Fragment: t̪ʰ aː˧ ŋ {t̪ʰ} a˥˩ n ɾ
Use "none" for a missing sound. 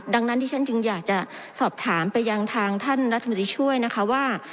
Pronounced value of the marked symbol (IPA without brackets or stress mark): t̪ʰ